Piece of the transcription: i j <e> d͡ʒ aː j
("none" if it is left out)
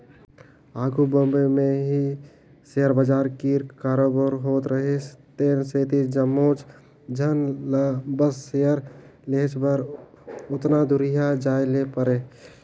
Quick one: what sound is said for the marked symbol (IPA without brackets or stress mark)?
a